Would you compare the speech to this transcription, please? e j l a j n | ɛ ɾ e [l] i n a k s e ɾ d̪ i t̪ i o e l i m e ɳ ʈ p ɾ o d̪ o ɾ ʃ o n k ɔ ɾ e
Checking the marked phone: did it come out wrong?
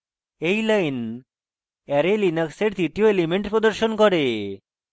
no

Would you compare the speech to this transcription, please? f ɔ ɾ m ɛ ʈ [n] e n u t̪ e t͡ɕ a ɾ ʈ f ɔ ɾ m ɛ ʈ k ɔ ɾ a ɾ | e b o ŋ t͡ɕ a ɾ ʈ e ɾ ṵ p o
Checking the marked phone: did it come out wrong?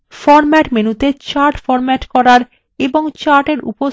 yes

